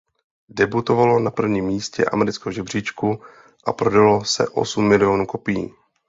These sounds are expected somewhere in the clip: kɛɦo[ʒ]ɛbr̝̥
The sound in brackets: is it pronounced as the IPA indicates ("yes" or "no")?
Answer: yes